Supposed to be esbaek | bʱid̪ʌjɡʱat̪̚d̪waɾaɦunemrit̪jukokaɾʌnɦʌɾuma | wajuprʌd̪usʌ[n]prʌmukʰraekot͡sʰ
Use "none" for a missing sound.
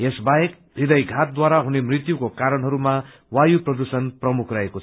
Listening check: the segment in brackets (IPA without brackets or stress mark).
n